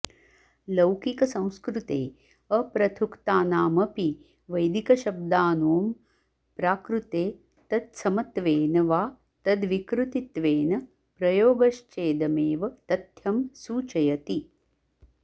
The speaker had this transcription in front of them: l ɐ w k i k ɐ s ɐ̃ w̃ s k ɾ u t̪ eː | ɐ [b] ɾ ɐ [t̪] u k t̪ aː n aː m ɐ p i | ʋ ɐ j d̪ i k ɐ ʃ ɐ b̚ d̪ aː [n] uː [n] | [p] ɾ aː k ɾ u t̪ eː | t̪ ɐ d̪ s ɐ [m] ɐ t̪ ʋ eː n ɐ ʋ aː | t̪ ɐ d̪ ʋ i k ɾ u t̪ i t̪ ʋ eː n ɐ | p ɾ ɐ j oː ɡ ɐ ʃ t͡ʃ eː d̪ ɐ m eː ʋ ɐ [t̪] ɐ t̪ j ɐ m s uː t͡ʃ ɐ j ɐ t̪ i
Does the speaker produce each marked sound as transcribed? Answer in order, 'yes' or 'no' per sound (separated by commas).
no, no, yes, no, yes, yes, yes